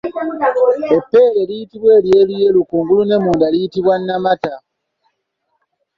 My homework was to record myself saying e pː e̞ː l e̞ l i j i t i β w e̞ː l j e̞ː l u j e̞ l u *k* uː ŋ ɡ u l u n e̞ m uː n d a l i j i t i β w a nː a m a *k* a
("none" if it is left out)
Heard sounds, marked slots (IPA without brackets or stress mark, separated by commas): k, t